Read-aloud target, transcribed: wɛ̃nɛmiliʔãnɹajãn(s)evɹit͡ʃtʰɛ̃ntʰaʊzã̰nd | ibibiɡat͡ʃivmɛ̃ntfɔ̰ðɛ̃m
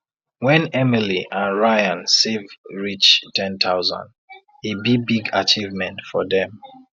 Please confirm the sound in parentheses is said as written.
yes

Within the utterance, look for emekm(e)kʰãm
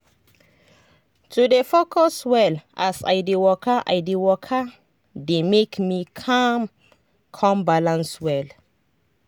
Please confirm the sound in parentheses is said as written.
no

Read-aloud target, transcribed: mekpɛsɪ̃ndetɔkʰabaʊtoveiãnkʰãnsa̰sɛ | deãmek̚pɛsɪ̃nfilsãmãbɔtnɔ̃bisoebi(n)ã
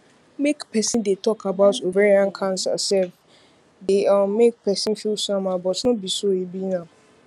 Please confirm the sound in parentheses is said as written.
yes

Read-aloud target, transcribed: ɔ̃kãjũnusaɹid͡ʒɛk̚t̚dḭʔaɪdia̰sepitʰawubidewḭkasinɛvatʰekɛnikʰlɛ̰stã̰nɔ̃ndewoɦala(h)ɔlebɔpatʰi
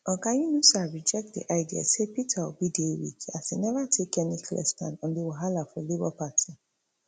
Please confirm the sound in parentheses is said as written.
no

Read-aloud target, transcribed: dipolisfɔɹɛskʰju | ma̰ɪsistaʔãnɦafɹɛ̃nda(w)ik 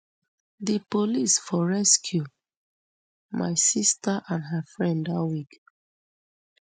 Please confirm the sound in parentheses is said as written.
yes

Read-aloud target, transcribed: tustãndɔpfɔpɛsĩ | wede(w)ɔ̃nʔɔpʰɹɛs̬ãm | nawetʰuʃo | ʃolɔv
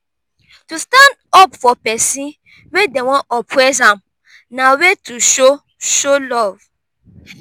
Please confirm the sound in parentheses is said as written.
yes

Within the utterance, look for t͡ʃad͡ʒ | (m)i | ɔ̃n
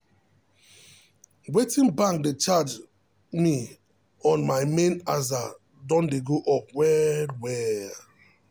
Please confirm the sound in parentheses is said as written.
yes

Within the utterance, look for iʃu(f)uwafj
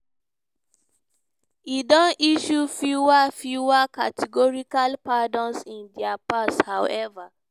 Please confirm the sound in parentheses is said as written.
yes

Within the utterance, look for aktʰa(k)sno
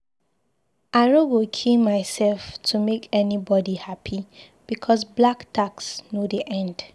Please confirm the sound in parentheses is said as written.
yes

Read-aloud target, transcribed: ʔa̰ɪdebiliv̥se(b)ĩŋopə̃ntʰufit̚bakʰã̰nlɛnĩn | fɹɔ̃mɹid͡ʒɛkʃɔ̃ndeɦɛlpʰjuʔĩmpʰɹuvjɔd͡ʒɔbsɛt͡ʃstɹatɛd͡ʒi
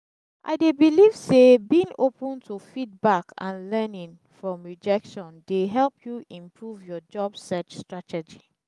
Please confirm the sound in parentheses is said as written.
yes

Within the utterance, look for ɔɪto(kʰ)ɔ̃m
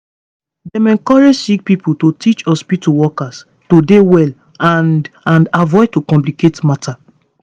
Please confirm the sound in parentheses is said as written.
no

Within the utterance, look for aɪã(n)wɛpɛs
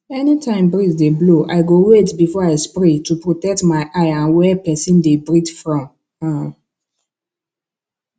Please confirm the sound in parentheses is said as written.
yes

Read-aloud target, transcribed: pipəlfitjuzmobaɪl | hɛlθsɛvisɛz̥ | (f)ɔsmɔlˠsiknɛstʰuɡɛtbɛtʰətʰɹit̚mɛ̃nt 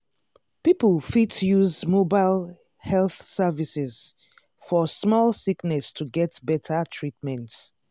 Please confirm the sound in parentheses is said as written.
yes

